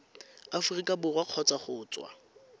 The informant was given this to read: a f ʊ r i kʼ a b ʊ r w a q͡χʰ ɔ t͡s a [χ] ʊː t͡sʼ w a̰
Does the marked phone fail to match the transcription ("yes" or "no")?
no